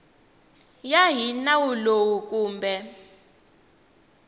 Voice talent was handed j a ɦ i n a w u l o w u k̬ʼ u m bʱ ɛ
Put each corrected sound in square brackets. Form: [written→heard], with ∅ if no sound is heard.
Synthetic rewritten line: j a ɦ i n a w u l o w u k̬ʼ [u→uː] m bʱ ɛ